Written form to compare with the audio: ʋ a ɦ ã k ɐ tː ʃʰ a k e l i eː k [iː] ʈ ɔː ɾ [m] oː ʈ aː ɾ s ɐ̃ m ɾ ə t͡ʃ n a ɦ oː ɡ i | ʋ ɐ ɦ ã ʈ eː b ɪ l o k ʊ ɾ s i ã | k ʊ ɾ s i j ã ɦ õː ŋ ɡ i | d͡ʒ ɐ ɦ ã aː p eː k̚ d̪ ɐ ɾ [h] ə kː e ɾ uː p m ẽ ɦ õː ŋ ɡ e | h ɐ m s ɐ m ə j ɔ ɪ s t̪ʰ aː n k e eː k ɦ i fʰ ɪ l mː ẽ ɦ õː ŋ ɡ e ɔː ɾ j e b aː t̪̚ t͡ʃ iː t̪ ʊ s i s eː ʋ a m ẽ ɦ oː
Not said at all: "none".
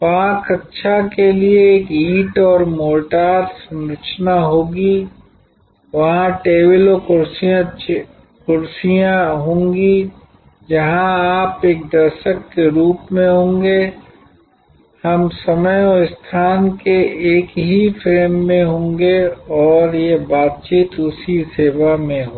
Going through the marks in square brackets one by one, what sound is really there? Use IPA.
iː, m, ʃ

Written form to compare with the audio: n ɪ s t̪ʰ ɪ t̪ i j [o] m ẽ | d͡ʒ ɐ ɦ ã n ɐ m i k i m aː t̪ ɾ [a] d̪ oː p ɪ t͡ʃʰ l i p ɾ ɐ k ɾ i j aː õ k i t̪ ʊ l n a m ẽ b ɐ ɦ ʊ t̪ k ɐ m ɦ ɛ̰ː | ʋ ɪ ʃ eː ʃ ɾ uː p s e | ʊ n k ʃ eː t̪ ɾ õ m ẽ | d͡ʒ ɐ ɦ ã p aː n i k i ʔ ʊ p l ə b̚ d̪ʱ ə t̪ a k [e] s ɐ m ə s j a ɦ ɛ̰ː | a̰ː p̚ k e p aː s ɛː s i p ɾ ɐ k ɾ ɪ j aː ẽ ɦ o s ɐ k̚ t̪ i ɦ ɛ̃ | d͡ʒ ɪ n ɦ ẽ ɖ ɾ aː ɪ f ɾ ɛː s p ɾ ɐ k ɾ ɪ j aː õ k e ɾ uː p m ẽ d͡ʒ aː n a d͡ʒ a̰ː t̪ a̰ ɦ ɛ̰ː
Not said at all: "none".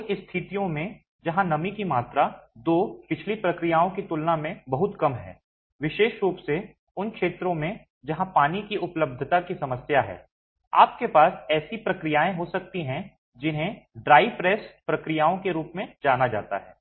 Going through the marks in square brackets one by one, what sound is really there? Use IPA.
õ, a, i

